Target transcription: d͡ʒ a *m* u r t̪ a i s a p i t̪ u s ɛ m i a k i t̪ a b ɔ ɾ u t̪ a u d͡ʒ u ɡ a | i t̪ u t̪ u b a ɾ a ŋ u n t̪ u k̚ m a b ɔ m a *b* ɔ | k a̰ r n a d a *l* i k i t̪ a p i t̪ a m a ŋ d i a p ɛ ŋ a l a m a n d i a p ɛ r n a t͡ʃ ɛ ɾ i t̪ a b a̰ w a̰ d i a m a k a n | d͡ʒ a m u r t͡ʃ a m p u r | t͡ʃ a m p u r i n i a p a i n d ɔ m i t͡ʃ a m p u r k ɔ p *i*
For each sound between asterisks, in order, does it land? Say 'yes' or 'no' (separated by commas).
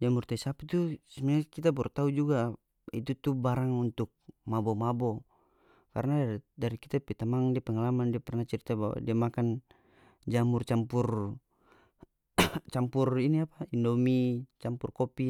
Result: yes, yes, no, yes